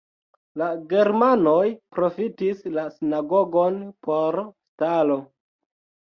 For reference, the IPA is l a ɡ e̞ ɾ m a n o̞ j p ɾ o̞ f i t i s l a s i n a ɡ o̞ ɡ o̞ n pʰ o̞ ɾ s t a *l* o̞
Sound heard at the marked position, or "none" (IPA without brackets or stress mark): l